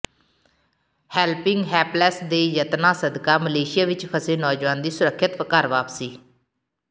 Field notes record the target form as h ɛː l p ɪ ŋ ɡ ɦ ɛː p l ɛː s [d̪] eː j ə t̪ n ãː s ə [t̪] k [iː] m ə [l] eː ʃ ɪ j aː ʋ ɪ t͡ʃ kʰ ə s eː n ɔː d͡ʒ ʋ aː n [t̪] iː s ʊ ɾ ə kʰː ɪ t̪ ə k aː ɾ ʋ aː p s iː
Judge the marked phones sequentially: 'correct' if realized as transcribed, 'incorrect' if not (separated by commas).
correct, incorrect, incorrect, correct, incorrect